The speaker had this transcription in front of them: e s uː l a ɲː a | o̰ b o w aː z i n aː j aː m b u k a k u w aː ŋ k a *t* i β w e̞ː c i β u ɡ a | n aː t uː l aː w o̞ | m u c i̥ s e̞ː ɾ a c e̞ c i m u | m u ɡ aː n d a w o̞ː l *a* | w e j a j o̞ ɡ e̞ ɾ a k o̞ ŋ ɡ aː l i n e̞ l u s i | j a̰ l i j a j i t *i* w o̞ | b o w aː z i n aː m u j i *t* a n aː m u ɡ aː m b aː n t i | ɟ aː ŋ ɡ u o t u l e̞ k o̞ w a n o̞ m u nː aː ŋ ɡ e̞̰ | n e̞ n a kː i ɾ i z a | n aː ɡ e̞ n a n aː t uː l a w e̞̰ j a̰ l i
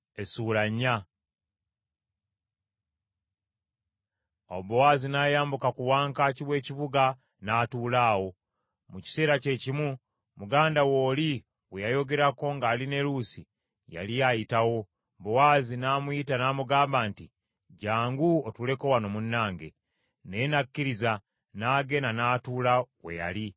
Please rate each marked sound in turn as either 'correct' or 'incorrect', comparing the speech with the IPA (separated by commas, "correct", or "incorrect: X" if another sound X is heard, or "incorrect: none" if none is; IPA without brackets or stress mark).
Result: incorrect: c, incorrect: i, incorrect: a, correct